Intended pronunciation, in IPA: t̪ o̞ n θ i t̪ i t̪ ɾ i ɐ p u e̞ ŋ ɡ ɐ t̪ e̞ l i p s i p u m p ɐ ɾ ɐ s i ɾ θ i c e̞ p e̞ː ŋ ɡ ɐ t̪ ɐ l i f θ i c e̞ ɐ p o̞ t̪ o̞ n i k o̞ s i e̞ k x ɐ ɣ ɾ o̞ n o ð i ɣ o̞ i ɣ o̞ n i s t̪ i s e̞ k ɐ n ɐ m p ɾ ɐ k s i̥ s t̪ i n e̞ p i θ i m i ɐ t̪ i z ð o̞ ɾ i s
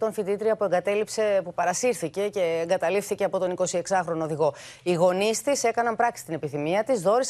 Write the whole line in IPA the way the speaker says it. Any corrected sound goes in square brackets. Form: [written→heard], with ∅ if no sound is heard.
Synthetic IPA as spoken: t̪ o̞ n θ i t̪ i t̪ ɾ i ɐ p u e̞ ŋ ɡ ɐ t̪ e̞ l i p s [i→e] p u [m→∅] p ɐ ɾ ɐ s i ɾ θ i c e̞ [p→c] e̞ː ŋ ɡ ɐ t̪ ɐ l i f θ i c e̞ ɐ p o̞ t̪ o̞ n i k o̞ s i e̞ k [x→s] ɐ [ɣ→x] ɾ o̞ n o ð i ɣ o̞ i ɣ o̞ n i s t̪ i s e̞ k ɐ n ɐ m p ɾ ɐ k s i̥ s t̪ i n e̞ p i θ i m i ɐ t̪ i z ð o̞ ɾ i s